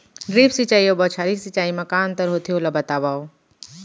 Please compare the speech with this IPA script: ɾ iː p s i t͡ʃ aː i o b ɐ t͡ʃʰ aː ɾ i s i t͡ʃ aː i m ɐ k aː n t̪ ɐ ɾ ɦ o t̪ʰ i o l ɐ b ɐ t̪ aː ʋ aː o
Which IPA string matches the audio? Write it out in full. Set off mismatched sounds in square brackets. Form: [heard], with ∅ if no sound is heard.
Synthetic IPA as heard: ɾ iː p s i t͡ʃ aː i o b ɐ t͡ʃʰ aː ɾ i s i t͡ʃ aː i m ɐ k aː n t̪ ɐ ɾ ɦ o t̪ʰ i o l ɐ b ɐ t̪ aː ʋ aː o